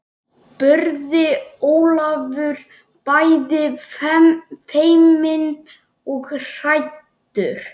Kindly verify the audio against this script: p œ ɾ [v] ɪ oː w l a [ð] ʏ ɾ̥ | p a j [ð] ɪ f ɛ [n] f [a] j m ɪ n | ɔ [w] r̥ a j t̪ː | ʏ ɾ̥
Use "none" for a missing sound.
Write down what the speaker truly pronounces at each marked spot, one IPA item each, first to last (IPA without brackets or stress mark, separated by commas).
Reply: ð, v, ð, m, e, ɣ